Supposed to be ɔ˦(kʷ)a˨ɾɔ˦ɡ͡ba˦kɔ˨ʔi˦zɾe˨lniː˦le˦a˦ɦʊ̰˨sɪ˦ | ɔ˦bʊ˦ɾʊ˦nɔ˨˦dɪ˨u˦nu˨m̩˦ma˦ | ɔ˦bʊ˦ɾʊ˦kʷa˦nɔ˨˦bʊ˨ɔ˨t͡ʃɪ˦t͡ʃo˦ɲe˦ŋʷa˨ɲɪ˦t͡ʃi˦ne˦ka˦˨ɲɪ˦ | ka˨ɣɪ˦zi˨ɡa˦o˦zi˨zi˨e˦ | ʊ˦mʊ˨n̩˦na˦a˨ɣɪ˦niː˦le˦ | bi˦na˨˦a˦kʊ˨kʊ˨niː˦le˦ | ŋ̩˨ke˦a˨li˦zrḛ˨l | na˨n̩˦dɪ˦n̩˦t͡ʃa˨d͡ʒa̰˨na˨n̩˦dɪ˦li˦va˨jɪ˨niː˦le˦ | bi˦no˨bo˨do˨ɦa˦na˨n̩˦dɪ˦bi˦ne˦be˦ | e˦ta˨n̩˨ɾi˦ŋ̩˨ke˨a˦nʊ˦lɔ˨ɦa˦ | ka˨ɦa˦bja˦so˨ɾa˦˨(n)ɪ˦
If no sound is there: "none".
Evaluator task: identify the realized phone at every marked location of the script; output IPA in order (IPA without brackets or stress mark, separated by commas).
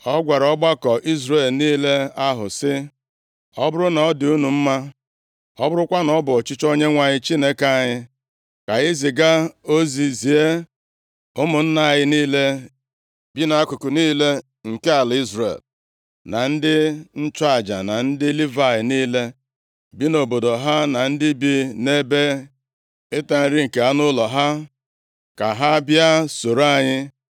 ɡʷ, ɲ